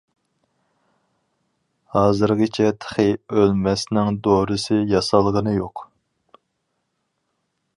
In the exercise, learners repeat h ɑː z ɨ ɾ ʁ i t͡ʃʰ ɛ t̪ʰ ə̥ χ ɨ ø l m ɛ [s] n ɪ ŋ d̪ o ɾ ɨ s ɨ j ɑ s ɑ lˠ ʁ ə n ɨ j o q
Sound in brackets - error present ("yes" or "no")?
no